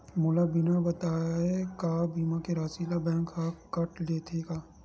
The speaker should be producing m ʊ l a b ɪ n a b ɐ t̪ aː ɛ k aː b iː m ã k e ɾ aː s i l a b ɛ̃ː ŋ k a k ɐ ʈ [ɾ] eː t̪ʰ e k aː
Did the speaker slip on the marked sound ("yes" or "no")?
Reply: yes